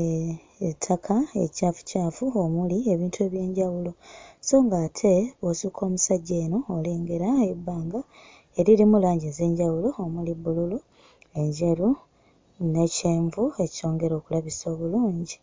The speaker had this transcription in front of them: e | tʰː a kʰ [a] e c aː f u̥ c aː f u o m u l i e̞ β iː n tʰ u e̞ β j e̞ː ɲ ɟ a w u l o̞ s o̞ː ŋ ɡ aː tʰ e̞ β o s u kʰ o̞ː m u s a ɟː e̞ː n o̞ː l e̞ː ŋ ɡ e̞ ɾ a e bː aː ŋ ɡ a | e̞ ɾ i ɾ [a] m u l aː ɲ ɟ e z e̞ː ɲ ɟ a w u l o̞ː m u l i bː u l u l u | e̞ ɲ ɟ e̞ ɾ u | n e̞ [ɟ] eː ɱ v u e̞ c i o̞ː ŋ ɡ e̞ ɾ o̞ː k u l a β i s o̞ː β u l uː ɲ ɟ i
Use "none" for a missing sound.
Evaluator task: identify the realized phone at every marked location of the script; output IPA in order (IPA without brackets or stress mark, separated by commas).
a, i, c